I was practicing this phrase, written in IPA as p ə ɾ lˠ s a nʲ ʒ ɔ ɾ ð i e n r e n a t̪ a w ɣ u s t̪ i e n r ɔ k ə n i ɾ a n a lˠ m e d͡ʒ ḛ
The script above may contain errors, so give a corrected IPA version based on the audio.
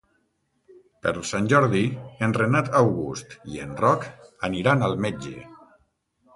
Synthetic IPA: p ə ɾ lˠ s a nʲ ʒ ɔ ɾ ð i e n r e n a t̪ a w ɣ u s t̪ i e n r ɔ k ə n i ɾ a n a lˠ m e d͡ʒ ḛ